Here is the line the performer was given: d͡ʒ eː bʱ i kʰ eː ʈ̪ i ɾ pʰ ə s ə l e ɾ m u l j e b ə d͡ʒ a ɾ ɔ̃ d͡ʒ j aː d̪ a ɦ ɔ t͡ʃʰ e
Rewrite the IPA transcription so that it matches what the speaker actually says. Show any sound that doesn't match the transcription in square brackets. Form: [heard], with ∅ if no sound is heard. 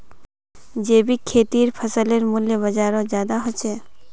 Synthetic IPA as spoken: d͡ʒ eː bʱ i kʰ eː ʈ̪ i ɾ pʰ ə s ə l e ɾ m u l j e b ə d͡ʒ a ɾ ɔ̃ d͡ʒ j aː d̪ a ɦ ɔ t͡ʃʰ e